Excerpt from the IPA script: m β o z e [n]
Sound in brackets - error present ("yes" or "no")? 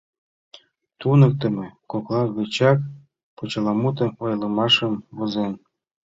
no